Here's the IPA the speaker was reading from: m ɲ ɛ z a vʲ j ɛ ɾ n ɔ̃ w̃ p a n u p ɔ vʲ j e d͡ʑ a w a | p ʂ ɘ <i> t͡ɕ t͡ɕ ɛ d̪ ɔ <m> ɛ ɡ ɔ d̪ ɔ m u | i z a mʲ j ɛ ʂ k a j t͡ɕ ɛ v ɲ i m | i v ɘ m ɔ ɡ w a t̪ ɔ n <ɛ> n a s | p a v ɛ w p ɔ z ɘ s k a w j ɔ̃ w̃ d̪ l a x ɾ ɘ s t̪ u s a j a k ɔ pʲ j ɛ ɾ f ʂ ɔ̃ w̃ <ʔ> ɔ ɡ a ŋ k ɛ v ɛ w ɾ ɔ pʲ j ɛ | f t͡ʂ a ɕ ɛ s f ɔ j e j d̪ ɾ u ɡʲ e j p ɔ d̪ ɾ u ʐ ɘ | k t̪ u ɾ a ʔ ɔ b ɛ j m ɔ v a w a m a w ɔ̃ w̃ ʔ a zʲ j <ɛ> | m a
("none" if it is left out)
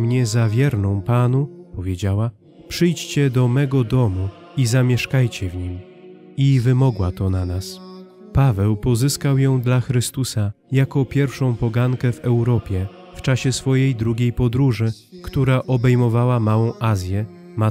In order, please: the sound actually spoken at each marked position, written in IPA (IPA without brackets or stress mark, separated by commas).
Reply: j, m, a, p, ɛ